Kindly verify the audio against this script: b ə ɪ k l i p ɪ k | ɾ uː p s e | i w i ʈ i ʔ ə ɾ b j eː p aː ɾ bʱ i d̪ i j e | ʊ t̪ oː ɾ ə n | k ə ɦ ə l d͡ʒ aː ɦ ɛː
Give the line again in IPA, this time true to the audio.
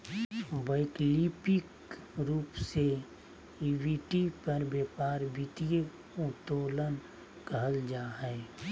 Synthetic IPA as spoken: b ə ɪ k l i p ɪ k | ɾ uː p s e | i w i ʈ i p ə ɾ b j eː p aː ɾ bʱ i t̪ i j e | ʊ t̪ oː l ə n | k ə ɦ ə l d͡ʒ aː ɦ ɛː